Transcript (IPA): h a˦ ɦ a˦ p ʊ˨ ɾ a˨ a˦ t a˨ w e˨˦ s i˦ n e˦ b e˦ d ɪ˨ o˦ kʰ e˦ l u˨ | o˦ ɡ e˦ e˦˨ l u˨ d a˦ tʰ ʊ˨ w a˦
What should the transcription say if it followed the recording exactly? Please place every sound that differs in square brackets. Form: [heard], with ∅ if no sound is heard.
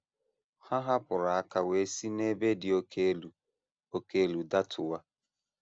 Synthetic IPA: h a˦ ɦ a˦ p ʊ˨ ɾ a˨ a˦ [k] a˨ w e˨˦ s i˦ n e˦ b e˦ d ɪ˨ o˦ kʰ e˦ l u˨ | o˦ [k] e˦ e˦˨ l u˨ d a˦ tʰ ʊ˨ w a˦